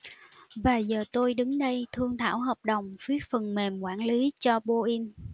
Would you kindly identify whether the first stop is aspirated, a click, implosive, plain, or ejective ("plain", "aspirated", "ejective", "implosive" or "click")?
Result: plain